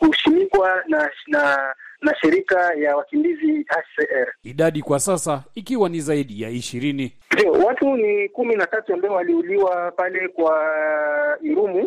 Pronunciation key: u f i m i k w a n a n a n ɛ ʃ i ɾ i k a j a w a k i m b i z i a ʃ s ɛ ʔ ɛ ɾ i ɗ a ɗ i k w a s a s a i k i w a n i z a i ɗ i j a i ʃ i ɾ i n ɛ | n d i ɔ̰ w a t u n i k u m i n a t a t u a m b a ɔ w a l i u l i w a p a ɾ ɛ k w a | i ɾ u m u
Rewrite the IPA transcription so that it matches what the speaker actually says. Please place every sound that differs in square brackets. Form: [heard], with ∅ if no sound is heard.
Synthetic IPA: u [ʃ] i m i k w a n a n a n [a] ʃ i ɾ i k a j a w a k i m b i z i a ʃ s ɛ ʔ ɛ ɾ i ɗ a ɗ i k w a s a s a i k i w a n i z a i ɗ i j a i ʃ i ɾ i n [i] | n d i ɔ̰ w a t u n i k u m i n a t a t u a m b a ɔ w a l i u l i w a p a [l] ɛ k w a | i ɾ u m u